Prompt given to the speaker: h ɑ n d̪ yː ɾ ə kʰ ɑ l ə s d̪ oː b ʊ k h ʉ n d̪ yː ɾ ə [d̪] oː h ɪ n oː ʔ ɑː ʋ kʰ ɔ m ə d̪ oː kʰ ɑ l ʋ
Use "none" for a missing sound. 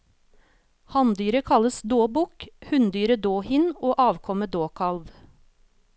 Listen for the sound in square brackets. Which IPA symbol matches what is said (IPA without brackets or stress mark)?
d̪